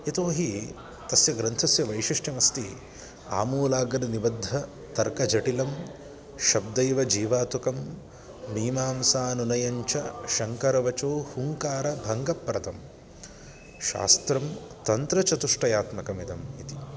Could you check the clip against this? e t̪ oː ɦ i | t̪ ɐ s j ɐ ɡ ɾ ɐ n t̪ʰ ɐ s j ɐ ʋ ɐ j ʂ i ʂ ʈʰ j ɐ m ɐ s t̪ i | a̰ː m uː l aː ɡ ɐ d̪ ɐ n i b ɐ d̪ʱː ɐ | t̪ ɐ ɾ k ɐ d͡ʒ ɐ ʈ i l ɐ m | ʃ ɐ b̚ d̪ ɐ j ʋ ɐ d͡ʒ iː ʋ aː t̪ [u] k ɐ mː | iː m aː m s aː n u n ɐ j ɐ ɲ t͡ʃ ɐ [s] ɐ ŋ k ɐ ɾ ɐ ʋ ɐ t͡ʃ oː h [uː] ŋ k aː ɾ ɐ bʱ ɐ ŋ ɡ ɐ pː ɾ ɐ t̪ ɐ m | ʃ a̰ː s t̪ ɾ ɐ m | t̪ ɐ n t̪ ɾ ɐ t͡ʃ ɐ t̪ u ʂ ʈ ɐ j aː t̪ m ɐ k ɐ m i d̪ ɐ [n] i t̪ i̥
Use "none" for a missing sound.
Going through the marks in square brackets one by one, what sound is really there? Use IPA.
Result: u, ʃ, u, m

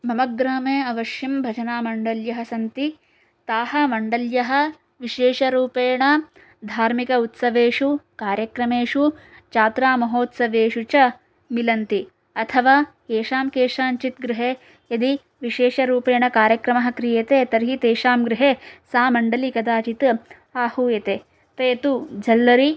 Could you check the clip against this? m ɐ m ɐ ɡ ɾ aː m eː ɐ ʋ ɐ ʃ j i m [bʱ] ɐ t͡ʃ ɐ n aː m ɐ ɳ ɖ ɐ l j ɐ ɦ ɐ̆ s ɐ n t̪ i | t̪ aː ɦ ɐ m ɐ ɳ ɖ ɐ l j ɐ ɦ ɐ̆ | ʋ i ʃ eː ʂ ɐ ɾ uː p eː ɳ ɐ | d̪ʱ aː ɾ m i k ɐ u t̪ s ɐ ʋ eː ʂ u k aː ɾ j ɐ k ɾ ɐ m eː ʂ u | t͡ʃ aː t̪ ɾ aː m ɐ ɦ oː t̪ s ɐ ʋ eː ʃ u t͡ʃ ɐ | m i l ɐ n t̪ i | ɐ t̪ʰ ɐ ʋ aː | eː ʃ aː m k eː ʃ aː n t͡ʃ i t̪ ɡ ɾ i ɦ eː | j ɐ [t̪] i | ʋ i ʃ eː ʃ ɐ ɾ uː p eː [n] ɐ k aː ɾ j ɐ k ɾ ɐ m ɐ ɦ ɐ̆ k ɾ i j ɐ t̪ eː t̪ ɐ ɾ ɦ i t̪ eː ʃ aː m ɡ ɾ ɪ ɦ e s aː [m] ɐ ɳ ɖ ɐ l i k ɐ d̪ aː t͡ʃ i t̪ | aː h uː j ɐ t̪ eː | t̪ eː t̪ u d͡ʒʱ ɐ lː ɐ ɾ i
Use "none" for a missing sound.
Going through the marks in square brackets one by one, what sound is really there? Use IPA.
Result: bʱ, d̪, ɳ, m

